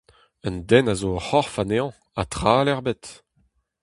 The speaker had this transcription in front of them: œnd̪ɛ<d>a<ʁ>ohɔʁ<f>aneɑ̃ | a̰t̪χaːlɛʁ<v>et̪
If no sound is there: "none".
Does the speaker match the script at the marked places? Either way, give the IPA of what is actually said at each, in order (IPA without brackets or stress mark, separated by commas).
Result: n, z, f, b